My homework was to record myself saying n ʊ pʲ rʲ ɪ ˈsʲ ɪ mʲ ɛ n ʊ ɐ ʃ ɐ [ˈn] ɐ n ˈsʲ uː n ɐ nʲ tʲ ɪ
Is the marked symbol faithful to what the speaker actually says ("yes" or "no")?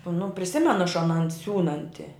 yes